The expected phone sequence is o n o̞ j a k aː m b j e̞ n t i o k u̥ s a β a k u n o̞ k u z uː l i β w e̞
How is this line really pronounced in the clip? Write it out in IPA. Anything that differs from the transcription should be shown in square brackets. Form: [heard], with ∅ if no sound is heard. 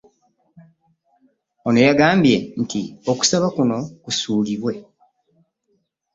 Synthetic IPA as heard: o n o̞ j a [ɡ] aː m b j e̞ n t i o k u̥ s a β a k u n o̞ k u [s] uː l i β w e̞